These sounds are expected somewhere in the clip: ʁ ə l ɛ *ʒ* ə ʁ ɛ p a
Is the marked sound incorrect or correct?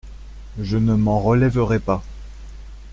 incorrect